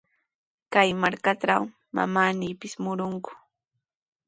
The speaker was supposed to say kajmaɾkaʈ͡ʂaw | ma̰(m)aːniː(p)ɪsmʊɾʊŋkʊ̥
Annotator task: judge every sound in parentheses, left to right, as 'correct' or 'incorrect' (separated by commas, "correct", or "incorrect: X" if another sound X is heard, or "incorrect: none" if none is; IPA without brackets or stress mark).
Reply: correct, correct